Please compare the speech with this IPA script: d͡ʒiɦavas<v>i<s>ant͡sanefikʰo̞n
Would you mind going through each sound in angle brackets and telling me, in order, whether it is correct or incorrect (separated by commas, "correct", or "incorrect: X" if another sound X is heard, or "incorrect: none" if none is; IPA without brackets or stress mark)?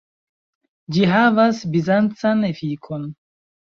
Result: incorrect: b, incorrect: z